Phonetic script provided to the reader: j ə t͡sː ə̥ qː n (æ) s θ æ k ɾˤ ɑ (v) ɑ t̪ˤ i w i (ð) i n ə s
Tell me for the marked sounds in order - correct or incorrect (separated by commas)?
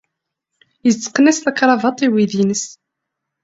correct, correct, correct